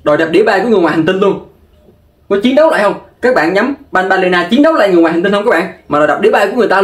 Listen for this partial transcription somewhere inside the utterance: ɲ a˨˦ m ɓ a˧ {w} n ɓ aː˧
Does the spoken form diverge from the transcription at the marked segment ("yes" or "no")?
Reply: yes